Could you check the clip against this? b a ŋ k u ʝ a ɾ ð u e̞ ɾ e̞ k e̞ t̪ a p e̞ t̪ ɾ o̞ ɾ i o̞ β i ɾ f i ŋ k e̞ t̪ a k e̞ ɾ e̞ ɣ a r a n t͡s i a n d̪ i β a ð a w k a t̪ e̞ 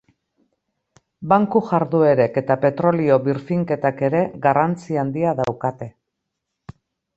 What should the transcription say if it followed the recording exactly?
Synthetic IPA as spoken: b a ŋ k u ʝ a ɾ ð u e̞ ɾ e̞ k e̞ t̪ a p e̞ t̪ ɾ o̞ l i o̞ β i ɾ f i ŋ k e̞ t̪ a k e̞ ɾ e̞ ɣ a r a n t͡s i a n d̪ i a ð a w k a t̪ e̞

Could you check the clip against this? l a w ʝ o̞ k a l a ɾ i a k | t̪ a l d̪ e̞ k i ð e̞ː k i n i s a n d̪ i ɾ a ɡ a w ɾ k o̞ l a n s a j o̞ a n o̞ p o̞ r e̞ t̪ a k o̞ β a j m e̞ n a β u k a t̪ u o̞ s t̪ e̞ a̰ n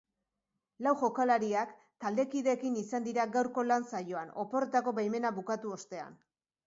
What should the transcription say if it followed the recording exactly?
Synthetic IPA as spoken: l a w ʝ o̞ k a l a ɾ i a k | t̪ a l d̪ e̞ k i ð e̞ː k i n i s a n d̪ i ɾ a ɡ a w ɾ k o̞ l a n s a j o̞ a n o̞ p o̞ r e̞ t̪ a k o̞ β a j m e̞ n a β u k a t̪ u o̞ s t̪ e̞ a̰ n

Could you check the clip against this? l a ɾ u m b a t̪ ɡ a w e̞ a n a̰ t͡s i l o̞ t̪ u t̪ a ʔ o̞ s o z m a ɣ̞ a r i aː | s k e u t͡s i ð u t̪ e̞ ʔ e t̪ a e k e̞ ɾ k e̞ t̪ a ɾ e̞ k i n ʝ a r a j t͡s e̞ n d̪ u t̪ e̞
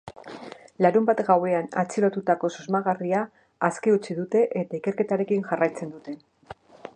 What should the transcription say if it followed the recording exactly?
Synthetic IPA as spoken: l a ɾ u m b a t̪ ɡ a w e̞ a n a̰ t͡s i l o̞ t̪ u t̪ a k o̞ s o z m a ɣ̞ a r i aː | s k e u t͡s i ð u t̪ e̞ ʔ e t̪ a i k e̞ ɾ k e̞ t̪ a ɾ e̞ k i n ʝ a r a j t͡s e̞ n d̪ u t̪ e̞

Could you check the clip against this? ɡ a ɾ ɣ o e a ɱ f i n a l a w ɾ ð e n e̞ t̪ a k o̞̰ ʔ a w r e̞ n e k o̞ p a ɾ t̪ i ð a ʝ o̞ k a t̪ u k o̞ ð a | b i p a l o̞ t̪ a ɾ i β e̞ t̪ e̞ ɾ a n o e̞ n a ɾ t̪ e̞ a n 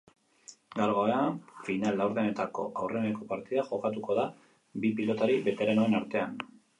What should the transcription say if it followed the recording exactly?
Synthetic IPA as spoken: ɡ a ɾ ɣ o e a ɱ f i n a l a w ɾ ð e n e̞ t̪ a k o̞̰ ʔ a w r e̞ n e k o̞ p a ɾ t̪ i ð a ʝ o̞ k a t̪ u k o̞ ð a | b i p i l o̞ t̪ a ɾ i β e̞ t̪ e̞ ɾ a n o e̞ n a ɾ t̪ e̞ a n

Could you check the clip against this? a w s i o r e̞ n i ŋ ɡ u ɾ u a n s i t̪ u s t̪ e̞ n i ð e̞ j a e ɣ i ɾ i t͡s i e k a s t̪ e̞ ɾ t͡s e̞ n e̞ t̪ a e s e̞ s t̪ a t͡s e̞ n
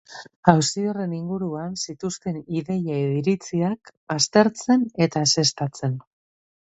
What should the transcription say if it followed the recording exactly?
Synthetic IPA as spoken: a w s i o r e̞ n i ŋ ɡ u ɾ u a n s i t̪ u s t̪ e̞ n i ð e̞ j a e ð i ɾ i t͡s i a k a s t̪ e̞ ɾ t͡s e̞ n e̞ t̪ a e s e̞ s t̪ a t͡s e̞ n

